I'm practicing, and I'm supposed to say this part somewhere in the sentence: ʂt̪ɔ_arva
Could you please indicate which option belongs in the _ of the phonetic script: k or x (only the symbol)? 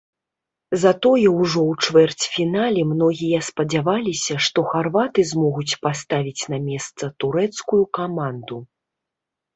x